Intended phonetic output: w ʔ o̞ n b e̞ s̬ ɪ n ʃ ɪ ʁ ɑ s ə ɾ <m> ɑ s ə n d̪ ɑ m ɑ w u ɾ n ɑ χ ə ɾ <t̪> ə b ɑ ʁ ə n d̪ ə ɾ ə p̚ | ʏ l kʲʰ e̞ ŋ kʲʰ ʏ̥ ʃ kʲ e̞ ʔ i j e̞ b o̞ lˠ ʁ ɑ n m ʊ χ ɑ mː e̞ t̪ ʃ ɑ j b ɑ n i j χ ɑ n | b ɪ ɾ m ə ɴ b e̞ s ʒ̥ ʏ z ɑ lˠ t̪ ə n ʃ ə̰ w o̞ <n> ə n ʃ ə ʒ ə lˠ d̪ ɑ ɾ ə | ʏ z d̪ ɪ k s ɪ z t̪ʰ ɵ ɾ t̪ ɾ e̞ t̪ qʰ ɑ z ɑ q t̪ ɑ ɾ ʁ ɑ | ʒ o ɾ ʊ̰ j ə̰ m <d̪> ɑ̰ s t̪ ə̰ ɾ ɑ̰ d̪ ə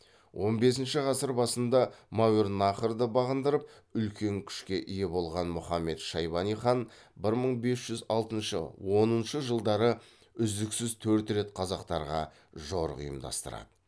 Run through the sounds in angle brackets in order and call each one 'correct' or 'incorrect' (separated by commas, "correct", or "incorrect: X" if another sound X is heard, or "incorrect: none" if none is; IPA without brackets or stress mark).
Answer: incorrect: b, incorrect: d̪, correct, correct